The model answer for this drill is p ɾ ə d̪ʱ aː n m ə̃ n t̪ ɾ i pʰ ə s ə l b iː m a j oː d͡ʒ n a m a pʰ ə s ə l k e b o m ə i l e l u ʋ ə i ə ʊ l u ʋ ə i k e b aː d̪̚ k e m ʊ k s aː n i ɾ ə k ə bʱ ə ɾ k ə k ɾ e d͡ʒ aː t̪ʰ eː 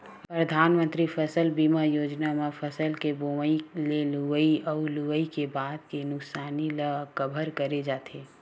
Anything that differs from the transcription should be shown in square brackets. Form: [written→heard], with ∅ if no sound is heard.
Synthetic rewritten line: p ɾ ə d̪ʱ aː n m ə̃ n t̪ ɾ i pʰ ə s ə l b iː m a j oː d͡ʒ n a m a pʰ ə s ə l k e b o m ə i l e l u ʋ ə i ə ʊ l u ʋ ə i k e b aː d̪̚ k e [m→n] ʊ k s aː n i [ɾ→l] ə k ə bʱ ə ɾ k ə [k→∅] ɾ e d͡ʒ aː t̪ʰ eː